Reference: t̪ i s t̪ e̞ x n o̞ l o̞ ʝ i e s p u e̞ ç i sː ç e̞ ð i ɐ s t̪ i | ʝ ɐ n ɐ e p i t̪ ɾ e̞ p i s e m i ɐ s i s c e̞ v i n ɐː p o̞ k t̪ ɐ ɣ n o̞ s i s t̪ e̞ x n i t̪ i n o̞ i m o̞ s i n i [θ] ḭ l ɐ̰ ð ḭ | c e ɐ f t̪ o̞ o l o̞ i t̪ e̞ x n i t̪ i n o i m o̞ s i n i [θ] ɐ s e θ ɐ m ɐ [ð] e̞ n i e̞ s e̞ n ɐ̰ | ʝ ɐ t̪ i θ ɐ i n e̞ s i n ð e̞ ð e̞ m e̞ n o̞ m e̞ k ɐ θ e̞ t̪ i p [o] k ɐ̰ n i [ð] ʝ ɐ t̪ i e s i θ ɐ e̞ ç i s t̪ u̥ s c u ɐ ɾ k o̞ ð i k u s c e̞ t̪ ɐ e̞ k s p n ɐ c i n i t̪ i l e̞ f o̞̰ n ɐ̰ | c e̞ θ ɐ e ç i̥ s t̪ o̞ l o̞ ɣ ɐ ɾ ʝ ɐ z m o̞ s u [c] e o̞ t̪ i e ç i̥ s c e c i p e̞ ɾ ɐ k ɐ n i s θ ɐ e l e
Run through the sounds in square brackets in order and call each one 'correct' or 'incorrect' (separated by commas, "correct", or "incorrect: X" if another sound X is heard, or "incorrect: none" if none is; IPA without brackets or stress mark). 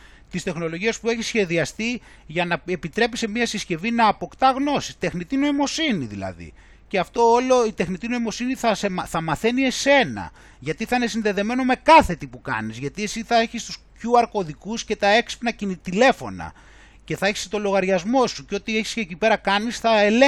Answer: incorrect: ð, correct, incorrect: θ, incorrect: u, incorrect: z, correct